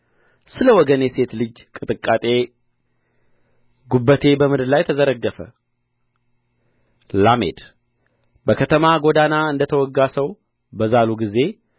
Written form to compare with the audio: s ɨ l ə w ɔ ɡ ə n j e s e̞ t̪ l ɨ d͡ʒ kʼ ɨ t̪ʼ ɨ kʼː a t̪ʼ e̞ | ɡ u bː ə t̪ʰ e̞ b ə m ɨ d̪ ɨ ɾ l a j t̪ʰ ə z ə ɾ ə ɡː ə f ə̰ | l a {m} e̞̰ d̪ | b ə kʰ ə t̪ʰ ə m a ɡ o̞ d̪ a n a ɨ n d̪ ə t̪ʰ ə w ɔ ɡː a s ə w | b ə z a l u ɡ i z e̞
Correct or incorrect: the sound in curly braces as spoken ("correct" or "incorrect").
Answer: correct